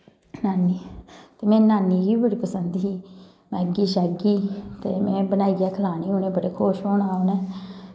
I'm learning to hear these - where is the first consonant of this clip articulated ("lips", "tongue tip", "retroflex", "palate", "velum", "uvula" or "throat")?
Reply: tongue tip